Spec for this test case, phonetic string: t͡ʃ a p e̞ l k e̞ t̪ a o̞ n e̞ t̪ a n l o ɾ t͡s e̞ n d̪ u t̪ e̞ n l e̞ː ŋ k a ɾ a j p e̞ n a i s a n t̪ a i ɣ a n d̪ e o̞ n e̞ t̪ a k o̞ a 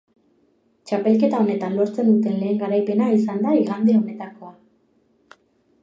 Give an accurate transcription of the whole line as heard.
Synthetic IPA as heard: t͡ʃ a p e̞ l k e̞ t̪ a o̞ n e̞ t̪ a n l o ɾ t͡s e̞ n d̪ u t̪ e̞ n l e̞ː ŋ ɡ a ɾ a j p e̞ n a i s a n d̪ a i ɣ a n d̪ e o̞ n e̞ t̪ a k o̞ a